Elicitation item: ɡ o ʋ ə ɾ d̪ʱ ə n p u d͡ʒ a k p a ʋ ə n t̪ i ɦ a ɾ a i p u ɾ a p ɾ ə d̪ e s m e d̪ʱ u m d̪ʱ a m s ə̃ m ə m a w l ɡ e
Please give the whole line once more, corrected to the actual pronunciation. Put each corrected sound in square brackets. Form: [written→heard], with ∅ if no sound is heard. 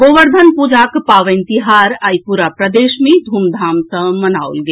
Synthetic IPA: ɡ o ʋ ə ɾ d̪ʱ ə n p u d͡ʒ a k p a ʋ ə n t̪ i ɦ a ɾ a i p u ɾ a p ɾ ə d̪ e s m e d̪ʱ u m d̪ʱ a m s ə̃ m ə [m→n] a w l ɡ e